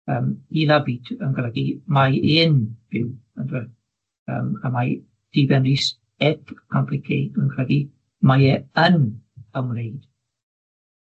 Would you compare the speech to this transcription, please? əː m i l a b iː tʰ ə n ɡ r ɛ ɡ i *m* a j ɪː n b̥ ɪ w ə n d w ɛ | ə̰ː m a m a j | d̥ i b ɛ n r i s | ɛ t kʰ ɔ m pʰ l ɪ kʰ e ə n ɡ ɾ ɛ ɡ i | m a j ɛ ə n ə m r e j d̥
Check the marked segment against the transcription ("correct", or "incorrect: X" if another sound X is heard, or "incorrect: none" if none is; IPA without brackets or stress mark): correct